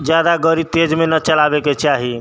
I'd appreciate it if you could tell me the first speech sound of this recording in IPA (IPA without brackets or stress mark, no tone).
d͡ʒ